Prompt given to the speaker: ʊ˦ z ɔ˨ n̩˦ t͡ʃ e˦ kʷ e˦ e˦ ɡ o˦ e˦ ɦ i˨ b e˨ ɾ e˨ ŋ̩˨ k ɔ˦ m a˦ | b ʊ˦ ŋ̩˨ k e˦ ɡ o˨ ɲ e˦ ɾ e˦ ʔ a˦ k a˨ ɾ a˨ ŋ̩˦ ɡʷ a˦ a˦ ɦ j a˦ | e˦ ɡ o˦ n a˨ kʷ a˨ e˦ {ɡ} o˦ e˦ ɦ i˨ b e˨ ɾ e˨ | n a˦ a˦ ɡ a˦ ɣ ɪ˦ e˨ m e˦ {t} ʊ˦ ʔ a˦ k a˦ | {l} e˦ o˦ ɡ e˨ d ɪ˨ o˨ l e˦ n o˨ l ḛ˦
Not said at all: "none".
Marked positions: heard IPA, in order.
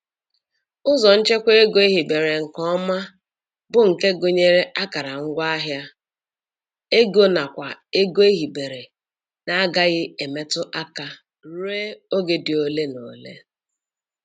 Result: ɡ, t, ɾ

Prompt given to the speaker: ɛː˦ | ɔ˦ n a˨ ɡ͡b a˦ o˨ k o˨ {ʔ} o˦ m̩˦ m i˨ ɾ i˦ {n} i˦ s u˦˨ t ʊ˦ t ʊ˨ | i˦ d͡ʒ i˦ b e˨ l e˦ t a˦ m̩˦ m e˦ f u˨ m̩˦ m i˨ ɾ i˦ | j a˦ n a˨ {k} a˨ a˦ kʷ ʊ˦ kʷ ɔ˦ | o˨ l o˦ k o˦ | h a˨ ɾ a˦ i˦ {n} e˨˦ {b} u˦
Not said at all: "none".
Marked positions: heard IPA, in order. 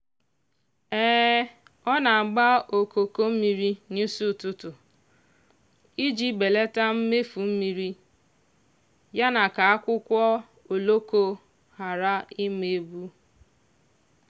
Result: k, n, k, m, b

